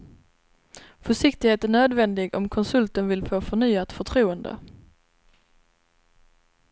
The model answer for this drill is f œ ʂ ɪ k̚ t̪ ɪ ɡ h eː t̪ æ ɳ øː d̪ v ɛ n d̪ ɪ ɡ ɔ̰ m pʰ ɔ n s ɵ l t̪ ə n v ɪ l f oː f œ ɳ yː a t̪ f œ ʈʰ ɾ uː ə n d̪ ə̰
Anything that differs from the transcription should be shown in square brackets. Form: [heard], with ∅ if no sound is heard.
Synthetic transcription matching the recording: f œ ʂ ɪ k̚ t̪ ɪ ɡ h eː t̪ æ ɳ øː d̪ v ɛ n d̪ ɪ ɡ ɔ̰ m [kʰ] ɔ n s ɵ l t̪ ə n v ɪ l f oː f œ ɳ yː a t̪ f œ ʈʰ ɾ uː ə n d̪ ə̰